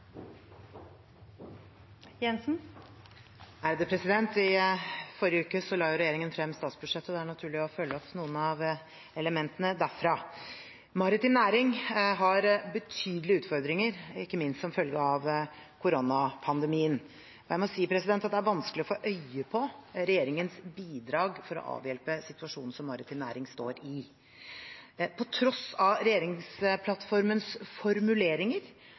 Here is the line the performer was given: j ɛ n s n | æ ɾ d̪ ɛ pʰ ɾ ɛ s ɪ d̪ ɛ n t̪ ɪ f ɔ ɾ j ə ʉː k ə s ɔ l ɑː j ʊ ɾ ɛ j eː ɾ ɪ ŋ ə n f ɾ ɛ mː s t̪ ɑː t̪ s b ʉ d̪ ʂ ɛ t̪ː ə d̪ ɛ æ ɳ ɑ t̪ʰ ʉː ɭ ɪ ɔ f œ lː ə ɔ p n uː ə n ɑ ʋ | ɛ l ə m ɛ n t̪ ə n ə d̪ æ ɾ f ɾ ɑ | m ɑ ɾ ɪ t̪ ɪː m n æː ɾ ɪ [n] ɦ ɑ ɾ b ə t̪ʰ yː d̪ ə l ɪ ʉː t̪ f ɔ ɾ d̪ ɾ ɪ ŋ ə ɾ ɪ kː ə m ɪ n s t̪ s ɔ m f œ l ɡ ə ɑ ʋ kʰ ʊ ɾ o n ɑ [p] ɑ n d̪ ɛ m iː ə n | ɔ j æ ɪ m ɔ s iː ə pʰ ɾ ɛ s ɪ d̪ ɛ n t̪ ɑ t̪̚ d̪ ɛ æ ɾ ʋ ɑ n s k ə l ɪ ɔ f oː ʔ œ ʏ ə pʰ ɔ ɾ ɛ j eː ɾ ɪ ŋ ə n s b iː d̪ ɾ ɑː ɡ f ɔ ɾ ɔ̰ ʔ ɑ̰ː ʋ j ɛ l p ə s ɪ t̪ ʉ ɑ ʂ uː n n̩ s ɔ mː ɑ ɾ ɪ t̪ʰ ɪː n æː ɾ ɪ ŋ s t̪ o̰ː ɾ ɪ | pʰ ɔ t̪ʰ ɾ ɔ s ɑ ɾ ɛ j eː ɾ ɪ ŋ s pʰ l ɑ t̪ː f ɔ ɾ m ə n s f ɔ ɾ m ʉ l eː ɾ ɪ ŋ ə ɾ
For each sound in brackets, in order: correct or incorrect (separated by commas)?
incorrect, incorrect